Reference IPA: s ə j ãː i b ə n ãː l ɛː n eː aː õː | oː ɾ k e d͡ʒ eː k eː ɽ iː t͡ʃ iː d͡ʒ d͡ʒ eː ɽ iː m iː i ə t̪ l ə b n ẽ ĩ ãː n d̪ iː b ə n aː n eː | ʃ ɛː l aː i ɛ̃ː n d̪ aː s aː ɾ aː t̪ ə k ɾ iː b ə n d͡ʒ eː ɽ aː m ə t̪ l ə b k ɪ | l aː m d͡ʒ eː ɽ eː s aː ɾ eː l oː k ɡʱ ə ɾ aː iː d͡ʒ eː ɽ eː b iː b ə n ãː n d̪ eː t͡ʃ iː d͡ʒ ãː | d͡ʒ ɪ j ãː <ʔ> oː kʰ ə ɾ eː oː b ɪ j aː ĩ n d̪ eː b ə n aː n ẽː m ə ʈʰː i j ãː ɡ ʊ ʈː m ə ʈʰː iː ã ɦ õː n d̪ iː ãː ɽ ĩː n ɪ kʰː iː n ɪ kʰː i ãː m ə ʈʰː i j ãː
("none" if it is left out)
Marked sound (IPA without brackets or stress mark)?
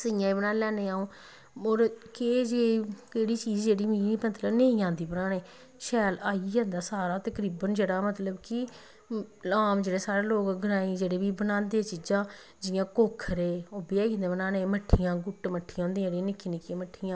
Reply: k